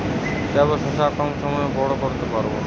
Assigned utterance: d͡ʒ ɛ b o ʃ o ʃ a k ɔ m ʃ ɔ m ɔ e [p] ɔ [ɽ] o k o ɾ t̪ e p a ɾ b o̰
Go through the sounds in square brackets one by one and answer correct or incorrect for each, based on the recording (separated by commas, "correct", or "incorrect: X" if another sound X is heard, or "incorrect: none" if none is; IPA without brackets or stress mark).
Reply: incorrect: b, correct